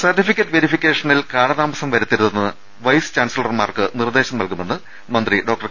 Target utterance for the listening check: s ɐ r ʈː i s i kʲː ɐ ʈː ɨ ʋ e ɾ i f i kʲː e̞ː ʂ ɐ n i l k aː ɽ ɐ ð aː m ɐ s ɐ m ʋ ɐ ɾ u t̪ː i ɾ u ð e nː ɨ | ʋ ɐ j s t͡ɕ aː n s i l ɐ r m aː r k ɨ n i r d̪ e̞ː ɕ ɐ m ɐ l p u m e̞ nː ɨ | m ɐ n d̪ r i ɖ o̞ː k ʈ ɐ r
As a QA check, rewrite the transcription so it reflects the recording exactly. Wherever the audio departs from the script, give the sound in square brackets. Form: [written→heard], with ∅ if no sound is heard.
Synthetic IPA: s ɐ r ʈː i [s→f] i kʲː ɐ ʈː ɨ ʋ e ɾ i f i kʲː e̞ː ʂ ɐ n i l k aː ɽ ɐ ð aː m ɐ s ɐ m ʋ ɐ ɾ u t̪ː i ɾ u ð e nː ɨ | ʋ ɐ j s t͡ɕ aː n s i l ɐ r m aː r k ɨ n i r d̪ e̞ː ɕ ɐ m ɐ l [p→k] u m e̞ nː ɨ | m ɐ n d̪ r i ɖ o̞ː k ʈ ɐ r

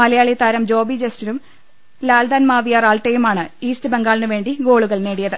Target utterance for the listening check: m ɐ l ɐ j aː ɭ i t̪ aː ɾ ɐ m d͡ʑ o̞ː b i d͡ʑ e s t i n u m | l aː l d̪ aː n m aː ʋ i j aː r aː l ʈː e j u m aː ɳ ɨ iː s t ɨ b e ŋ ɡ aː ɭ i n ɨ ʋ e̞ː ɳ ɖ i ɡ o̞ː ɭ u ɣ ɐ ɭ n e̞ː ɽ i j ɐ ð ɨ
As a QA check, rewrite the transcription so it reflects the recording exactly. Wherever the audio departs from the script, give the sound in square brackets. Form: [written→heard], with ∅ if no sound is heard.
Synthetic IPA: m ɐ l ɐ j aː ɭ i t̪ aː ɾ ɐ m d͡ʑ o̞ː b i d͡ʑ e s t i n u m | l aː l d̪ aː n m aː ʋ i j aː r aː l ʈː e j u m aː ɳ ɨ iː s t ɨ b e ŋ ɡ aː ɭ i n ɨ ʋ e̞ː ɳ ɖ i ɡ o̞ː ɭ u ɣ ɐ ɭ n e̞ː ɽ i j ɐ ð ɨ

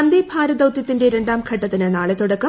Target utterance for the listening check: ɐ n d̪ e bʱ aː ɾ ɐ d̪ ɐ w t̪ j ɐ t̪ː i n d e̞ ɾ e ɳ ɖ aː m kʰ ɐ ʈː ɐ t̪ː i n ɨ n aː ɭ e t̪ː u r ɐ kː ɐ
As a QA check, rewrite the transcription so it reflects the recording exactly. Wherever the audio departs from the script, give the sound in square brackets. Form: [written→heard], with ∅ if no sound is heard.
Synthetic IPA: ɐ n d̪ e bʱ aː ɾ ɐ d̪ ɐ w t̪ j ɐ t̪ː i n d e̞ ɾ e ɳ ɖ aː m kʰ ɐ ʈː ɐ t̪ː i n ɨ n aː ɭ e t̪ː u [r→ɽ] ɐ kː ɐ

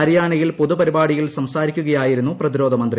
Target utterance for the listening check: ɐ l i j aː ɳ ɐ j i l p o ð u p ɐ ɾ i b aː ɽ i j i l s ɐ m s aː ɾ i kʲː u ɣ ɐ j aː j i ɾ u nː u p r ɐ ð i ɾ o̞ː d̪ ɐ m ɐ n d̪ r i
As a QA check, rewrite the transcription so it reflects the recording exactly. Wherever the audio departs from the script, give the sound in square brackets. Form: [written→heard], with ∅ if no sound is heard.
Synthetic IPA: ɐ [l→ɾ] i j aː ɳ ɐ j i l p o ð u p ɐ ɾ i b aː ɽ i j i l s ɐ m s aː ɾ i kʲː u ɣ ɐ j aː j i ɾ u nː u p r ɐ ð i ɾ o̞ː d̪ ɐ m ɐ n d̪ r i

